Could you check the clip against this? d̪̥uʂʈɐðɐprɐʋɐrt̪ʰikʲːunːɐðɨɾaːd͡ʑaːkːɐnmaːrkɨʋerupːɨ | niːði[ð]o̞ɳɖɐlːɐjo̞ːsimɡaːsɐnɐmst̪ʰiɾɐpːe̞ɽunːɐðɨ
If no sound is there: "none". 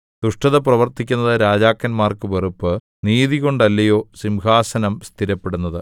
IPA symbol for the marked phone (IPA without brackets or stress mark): ɣ